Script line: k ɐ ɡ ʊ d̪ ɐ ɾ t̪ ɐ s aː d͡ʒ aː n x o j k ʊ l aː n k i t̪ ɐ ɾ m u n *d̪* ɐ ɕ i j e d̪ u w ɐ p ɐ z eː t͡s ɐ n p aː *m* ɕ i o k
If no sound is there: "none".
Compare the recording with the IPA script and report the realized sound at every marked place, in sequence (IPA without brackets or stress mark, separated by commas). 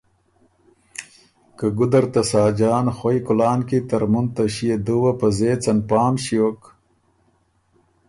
t̪, m